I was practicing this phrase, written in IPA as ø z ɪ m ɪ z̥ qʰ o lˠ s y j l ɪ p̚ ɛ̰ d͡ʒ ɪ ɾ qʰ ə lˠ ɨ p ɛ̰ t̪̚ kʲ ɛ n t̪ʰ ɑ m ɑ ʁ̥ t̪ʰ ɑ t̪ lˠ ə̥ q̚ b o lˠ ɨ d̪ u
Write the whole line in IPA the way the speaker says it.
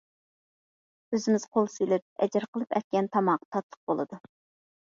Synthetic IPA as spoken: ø z ɪ m ɪ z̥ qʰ o lˠ s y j l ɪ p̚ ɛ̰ d͡ʒ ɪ ɾ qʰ ə lˠ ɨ p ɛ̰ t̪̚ kʲ ɛ n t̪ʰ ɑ m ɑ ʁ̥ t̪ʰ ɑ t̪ lˠ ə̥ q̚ b o lˠ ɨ d̪ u

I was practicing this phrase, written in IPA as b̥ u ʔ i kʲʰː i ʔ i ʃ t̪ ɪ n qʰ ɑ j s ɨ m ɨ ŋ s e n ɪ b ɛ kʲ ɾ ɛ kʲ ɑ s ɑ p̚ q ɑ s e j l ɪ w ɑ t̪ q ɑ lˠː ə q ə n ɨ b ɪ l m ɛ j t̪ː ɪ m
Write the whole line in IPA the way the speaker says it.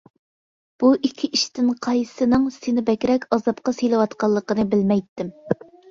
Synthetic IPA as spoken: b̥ u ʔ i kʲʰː i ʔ i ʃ t̪ ɪ n qʰ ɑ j s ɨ n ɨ ŋ s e n ɪ b ɛ kʲ ɾ ɛ kʲ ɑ z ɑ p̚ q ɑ s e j l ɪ w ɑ t̪ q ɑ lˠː ə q ə n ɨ b ɪ l m ɛ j t̪ː ɪ m

